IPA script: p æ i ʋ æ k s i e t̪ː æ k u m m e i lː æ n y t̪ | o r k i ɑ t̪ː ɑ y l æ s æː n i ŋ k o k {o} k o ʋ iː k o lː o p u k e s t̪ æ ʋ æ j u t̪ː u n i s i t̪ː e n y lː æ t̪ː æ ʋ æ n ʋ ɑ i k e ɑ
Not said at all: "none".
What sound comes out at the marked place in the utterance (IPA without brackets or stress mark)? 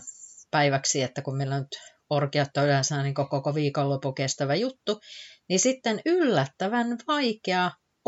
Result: o